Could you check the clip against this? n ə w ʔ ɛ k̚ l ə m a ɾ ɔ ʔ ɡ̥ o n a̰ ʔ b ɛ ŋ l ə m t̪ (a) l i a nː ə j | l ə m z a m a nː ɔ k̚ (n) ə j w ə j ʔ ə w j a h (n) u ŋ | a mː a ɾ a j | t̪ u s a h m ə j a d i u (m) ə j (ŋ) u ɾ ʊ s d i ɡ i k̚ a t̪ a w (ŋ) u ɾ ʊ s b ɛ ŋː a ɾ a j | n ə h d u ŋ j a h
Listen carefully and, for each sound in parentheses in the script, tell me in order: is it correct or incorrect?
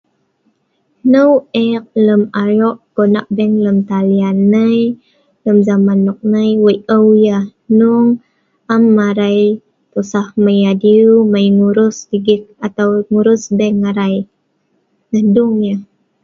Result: correct, correct, correct, correct, correct, correct

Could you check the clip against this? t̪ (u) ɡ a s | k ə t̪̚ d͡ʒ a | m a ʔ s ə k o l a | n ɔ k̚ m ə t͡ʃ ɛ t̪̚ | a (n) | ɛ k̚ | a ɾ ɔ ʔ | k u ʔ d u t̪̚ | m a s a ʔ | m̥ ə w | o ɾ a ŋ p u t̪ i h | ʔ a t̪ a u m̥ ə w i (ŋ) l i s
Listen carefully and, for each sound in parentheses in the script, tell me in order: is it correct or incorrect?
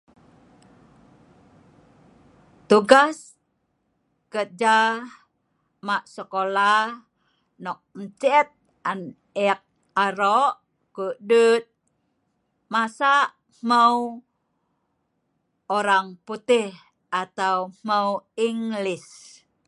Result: correct, correct, correct

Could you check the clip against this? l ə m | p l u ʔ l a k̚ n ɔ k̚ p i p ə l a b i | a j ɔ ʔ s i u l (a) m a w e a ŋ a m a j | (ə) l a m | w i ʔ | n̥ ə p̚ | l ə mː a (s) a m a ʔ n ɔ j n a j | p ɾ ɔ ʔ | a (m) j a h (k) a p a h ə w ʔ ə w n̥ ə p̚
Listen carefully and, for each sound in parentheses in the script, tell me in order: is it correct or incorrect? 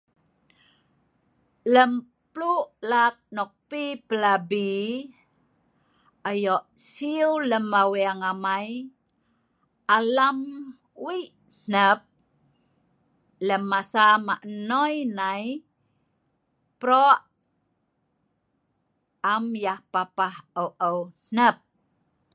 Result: incorrect, incorrect, correct, correct, incorrect

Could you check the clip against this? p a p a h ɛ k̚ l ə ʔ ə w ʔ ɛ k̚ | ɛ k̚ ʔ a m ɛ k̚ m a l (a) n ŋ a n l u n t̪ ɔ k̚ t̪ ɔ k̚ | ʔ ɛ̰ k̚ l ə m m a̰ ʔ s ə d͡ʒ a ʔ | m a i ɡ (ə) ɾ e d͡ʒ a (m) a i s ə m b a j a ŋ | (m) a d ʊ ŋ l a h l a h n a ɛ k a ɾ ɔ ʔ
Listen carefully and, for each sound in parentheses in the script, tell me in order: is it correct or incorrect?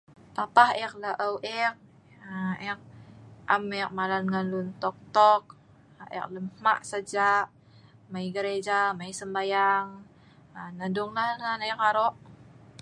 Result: correct, correct, correct, incorrect

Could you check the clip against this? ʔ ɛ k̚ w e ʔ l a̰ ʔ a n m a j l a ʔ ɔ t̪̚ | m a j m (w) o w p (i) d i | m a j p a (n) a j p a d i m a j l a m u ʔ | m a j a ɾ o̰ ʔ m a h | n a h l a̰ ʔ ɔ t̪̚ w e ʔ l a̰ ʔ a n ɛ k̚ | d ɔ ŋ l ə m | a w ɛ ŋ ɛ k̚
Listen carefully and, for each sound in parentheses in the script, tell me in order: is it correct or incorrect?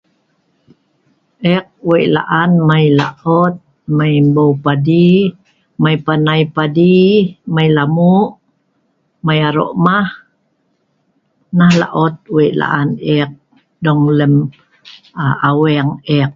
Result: incorrect, incorrect, correct

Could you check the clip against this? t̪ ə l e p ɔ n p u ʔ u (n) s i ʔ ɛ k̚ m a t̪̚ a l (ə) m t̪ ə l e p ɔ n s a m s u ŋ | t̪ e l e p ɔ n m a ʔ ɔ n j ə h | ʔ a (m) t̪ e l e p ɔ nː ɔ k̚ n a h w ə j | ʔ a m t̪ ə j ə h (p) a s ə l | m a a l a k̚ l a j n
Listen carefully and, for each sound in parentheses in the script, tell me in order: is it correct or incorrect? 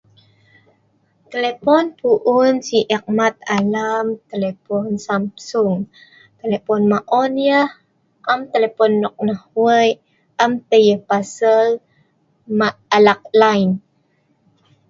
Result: correct, incorrect, correct, correct

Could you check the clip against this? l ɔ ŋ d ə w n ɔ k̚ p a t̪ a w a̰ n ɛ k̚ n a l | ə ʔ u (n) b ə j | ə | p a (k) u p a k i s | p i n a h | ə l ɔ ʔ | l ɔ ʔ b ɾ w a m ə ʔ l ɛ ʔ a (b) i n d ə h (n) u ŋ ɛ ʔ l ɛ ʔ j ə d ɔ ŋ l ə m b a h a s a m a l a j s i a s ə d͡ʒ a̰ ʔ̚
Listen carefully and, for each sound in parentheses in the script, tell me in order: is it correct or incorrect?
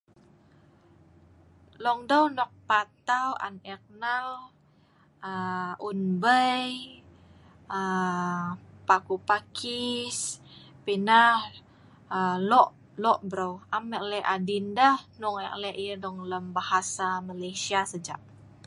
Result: correct, correct, incorrect, correct

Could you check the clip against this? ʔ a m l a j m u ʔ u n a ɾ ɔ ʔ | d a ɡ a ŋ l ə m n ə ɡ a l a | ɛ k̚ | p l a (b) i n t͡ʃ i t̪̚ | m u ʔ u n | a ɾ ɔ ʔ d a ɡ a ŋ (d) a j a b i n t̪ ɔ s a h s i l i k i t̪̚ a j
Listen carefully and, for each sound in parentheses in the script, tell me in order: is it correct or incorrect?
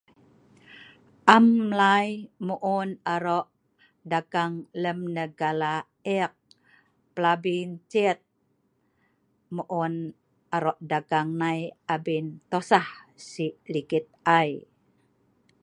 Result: correct, incorrect

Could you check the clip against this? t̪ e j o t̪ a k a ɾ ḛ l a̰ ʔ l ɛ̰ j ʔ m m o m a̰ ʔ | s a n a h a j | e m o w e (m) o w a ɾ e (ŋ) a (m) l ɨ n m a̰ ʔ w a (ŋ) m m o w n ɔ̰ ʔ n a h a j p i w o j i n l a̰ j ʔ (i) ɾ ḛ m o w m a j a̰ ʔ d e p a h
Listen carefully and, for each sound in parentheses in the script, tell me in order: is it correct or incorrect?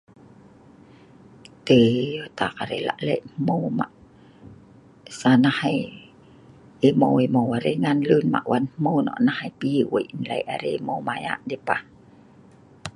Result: correct, correct, incorrect, incorrect, incorrect

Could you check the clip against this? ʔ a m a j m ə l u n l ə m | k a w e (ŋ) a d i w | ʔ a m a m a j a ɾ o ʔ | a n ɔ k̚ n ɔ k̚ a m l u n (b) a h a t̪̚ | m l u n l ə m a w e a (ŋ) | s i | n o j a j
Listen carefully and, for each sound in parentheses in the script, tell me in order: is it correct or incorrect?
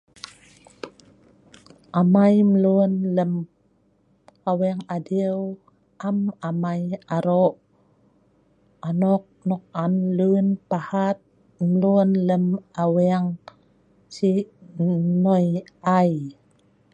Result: correct, incorrect, correct

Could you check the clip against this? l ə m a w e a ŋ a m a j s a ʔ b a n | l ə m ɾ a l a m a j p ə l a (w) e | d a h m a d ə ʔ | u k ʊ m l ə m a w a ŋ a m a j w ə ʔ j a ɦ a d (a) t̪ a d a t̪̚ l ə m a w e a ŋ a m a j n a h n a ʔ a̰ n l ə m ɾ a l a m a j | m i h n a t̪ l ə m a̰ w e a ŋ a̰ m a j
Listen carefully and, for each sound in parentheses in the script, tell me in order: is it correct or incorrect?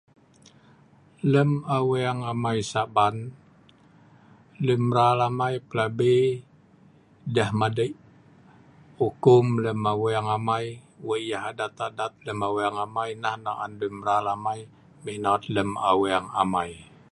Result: incorrect, correct

